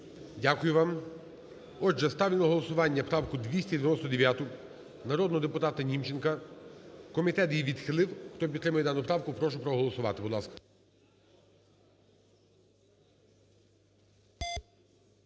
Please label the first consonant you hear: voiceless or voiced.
voiced